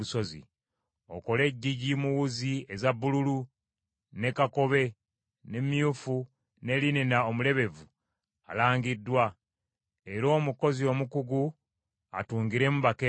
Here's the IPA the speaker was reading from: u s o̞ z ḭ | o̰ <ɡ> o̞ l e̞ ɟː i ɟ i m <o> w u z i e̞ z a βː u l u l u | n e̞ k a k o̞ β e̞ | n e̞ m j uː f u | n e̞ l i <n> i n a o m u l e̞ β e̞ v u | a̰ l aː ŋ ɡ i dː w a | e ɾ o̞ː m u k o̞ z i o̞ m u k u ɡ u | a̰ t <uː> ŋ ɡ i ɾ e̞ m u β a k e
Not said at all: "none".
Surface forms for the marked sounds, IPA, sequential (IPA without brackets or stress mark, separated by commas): k, u, n, uː